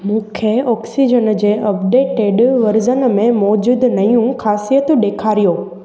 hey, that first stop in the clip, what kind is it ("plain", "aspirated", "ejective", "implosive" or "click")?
aspirated